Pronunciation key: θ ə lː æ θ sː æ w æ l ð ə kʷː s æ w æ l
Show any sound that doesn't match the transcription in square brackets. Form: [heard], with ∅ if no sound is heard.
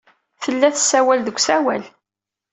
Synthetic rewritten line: θ ə lː æ θ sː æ w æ l ð ə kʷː s æ w æ l

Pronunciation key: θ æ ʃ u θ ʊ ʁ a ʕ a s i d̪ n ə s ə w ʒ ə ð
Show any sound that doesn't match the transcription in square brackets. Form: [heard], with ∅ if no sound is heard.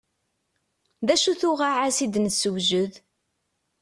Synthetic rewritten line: [ð] æ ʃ u θ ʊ ʁ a ʕ a s i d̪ n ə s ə w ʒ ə ð

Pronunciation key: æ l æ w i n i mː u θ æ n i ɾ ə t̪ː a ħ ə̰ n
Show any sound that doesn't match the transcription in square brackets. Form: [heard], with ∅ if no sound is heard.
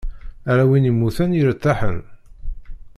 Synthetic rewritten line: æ [ɾ] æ w i n i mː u θ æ n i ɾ ə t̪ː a ħ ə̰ n

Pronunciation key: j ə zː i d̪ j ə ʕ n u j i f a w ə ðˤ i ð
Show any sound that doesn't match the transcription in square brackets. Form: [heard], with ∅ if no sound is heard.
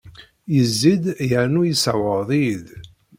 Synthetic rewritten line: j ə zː i d̪ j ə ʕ n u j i [s] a w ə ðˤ i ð

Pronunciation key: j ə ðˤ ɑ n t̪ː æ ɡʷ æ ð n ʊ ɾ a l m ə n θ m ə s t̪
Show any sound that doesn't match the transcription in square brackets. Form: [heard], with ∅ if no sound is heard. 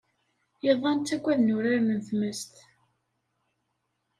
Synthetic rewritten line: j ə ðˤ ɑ n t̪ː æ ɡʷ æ ð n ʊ ɾ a [ɾ] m ə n θ m ə s t̪

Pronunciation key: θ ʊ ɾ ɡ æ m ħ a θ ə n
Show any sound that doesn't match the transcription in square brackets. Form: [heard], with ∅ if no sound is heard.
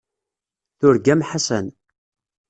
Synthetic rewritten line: θ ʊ ɾ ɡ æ m ħ a [s] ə n

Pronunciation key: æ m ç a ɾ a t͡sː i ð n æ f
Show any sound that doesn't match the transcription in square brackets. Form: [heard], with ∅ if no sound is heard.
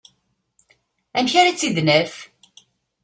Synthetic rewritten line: æ m ç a ɾ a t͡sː i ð n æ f

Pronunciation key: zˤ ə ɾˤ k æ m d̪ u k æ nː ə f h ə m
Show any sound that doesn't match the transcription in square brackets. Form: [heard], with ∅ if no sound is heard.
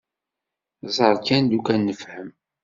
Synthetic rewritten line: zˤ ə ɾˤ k æ [n] d̪ u k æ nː ə f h ə m

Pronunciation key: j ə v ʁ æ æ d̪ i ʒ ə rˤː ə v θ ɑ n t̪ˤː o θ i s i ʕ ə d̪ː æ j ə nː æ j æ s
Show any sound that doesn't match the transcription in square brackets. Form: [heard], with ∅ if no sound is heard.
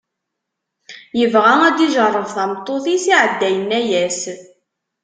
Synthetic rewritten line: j ə v ʁ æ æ d̪ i ʒ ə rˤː ə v θ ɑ [m] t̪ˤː o θ i s i ʕ ə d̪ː æ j ə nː æ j æ s

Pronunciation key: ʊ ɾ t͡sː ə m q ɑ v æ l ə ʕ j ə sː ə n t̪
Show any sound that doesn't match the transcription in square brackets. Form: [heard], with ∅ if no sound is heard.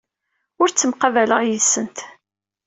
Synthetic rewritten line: ʊ ɾ t͡sː ə m q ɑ v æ l ə [ʁ] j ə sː ə n t̪

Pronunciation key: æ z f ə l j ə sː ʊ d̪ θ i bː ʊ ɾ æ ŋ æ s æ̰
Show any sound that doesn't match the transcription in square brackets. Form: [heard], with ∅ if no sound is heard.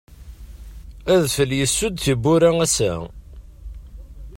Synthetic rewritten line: æ [ð] f ə l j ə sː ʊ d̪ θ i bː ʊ ɾ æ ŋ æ s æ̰

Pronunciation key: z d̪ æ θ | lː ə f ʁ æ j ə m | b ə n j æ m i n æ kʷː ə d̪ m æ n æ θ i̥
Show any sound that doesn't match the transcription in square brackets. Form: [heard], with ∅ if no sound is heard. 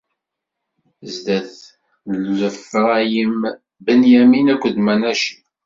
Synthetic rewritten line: z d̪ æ θ | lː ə f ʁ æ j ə m | b ə n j æ m i n æ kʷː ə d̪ m æ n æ [ʃ] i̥

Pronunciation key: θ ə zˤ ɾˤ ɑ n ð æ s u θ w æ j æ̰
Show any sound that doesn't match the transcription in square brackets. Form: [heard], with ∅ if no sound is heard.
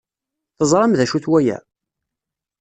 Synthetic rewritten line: θ ə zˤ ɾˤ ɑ [m] ð æ [ʃ] u θ w æ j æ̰

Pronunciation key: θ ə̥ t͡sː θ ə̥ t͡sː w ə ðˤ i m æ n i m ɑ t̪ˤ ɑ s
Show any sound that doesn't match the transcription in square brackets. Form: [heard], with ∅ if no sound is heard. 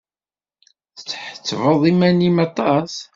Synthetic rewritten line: θ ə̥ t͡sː [ħ] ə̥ t͡sː [v] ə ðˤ i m æ n i m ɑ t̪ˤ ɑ s

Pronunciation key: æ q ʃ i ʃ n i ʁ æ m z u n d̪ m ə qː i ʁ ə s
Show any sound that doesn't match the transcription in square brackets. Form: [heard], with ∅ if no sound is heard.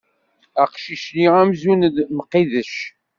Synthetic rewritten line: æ q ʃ i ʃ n i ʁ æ m z u n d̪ m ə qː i [ð] ə [ʃ]

